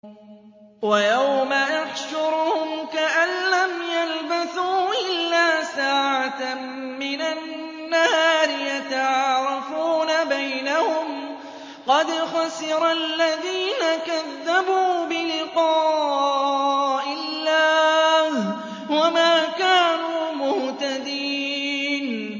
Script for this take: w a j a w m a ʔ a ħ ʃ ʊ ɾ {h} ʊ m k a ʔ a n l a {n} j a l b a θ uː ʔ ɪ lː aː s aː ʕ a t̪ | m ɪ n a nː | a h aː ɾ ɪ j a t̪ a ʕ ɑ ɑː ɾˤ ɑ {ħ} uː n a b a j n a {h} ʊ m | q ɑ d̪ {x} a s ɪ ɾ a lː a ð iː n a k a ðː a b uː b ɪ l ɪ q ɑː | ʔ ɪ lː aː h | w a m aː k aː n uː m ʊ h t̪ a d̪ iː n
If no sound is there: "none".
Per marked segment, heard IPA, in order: h, m, f, h, x

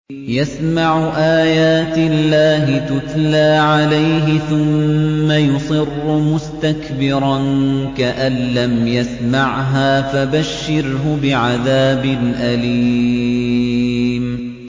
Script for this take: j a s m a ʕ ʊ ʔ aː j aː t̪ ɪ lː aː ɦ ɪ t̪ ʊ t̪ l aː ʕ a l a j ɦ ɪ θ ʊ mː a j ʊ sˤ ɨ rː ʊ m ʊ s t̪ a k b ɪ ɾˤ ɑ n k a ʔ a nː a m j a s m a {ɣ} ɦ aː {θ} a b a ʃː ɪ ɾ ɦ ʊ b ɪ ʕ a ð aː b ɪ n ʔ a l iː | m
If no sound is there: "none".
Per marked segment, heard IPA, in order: ʕ, f

